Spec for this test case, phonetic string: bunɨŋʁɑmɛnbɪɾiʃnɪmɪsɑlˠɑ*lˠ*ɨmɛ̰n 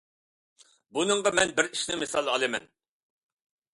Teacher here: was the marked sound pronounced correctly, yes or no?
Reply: yes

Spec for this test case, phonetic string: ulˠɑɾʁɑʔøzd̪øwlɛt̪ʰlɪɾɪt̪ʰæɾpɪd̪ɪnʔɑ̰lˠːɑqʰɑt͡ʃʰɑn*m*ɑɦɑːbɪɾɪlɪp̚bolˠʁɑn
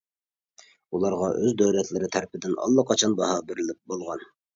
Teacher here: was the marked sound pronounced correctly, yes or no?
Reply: no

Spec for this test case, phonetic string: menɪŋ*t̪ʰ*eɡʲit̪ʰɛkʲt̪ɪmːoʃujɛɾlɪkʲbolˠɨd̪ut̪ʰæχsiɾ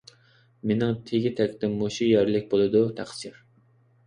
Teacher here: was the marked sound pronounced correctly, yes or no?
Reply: yes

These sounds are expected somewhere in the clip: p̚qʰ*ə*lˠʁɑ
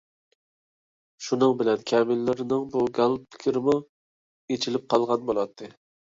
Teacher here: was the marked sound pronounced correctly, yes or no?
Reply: no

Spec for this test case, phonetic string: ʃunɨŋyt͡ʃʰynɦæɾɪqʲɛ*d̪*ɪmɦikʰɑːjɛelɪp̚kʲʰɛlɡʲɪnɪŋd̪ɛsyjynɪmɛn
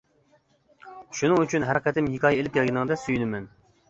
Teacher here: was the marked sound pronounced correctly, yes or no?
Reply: no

